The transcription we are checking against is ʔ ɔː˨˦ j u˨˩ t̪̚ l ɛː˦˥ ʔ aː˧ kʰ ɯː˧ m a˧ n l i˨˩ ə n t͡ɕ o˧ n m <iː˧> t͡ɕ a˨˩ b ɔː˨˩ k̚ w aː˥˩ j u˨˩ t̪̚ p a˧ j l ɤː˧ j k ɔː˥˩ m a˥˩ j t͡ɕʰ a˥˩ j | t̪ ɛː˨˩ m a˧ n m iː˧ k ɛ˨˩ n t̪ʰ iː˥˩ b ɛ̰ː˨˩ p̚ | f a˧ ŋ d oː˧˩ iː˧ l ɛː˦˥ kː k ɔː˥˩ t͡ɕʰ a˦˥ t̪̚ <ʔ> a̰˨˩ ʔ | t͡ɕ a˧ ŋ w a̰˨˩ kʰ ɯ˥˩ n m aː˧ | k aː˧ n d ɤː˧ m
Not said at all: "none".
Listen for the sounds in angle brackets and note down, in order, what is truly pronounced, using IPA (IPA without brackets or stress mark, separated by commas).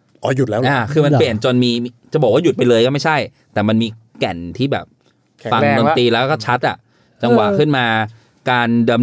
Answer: iː˧, ʔ